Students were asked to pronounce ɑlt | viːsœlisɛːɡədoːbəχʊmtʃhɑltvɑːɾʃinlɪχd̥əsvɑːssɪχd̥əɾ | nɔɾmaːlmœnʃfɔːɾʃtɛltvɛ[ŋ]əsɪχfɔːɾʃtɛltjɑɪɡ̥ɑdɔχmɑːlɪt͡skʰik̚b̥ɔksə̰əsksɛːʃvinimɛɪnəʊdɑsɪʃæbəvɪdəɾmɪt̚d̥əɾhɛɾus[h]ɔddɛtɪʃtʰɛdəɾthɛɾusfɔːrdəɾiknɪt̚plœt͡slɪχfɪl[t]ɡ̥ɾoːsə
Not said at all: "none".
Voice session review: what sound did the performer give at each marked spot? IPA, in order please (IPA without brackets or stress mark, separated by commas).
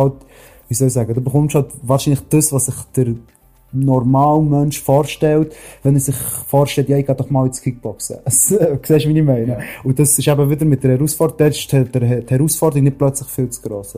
n, f, t͡s